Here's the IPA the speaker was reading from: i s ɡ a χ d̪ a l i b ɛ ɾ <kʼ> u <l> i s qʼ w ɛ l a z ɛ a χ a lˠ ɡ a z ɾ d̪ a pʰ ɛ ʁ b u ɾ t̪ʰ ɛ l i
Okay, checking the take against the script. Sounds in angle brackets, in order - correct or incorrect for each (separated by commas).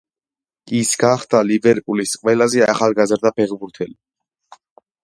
incorrect, correct